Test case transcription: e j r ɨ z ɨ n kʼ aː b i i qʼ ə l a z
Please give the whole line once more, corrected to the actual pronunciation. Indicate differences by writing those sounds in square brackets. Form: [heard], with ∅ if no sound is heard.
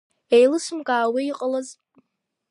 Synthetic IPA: e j [l] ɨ [s] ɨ [m] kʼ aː [w] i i qʼ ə l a z